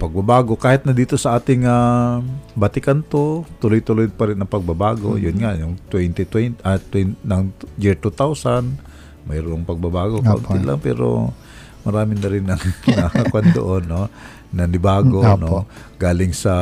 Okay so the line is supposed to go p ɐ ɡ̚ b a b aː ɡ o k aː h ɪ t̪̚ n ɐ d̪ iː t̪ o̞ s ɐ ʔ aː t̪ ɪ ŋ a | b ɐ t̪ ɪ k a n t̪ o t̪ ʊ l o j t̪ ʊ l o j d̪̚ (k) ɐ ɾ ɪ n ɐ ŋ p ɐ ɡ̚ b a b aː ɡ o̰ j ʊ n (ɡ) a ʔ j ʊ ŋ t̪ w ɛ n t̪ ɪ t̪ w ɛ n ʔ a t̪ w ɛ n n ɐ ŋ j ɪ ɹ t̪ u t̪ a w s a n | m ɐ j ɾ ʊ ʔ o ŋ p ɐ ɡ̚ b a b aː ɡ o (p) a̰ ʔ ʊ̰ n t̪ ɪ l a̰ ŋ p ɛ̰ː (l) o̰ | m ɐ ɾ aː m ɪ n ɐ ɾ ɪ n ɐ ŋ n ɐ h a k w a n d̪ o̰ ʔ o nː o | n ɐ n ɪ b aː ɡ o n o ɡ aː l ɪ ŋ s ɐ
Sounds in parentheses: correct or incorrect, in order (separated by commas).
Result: incorrect, incorrect, incorrect, incorrect